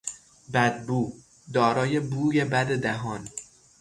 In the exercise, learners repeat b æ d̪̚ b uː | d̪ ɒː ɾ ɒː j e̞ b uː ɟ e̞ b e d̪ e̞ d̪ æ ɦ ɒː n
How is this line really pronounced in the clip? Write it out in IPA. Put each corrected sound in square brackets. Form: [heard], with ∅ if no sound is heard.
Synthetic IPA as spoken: b æ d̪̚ b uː | d̪ ɒː ɾ ɒː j e̞ b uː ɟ e̞ b [æ] d̪ e̞ d̪ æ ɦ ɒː n